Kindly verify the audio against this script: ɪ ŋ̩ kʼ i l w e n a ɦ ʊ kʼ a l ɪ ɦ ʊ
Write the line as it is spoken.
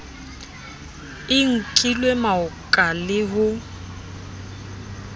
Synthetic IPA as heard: ɪ ŋ̩ kʼ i l w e m a ʊ kʼ a l ɪ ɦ ʊ